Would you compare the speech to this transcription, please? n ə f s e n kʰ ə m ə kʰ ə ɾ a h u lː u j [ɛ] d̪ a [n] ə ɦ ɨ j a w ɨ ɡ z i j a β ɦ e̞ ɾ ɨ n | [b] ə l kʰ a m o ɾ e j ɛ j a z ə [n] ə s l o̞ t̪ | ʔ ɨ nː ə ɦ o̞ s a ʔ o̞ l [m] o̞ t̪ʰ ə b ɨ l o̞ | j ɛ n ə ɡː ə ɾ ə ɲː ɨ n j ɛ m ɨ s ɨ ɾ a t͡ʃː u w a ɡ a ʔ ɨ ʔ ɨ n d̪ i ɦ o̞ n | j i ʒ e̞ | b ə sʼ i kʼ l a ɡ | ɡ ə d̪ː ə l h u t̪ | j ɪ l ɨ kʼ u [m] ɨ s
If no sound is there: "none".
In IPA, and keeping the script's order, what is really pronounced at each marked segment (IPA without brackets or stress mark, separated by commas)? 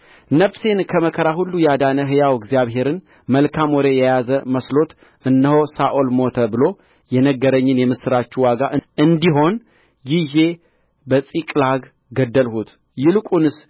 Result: a, n, m, m, m, n